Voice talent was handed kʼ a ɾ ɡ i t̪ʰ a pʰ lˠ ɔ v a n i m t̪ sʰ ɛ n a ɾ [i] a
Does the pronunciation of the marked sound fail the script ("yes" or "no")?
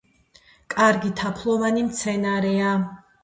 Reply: yes